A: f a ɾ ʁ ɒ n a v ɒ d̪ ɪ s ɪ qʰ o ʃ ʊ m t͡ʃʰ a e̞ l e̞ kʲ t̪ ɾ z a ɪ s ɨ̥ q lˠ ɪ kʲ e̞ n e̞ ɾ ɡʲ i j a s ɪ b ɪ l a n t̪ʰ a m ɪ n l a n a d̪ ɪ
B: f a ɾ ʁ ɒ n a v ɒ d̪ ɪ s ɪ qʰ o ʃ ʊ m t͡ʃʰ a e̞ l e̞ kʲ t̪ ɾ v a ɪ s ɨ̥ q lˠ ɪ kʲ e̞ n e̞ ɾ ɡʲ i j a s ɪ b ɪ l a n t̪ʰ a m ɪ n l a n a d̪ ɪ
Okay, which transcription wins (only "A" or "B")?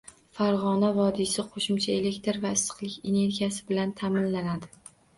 B